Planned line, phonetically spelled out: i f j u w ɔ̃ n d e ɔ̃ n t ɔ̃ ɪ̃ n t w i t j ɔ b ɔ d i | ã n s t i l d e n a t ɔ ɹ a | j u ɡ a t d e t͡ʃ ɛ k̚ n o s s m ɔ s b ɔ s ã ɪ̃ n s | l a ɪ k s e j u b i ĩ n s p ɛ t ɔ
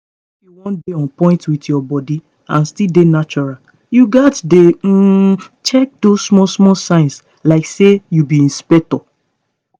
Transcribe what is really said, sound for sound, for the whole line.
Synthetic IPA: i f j u w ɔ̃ n d e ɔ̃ n p ɔ̃ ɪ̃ n t w i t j ɔ b ɔ d i | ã n s t i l d e n a t͡ʃ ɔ ɹ a | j u ɡ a t d e t͡ʃ ɛ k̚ d o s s m ɔ s m ɔ s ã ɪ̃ n s | l a ɪ k s e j u b i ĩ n s p ɛ t ɔ